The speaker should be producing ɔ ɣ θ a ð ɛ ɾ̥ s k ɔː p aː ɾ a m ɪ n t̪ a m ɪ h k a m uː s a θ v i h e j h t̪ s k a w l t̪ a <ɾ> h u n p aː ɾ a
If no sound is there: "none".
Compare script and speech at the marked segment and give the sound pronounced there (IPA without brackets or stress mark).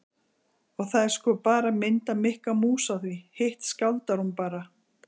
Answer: ɾ